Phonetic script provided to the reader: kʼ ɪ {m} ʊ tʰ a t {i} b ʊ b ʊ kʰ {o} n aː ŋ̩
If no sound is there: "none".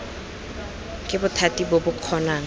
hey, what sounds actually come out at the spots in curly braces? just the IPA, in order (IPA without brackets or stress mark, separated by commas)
b, i, ɔ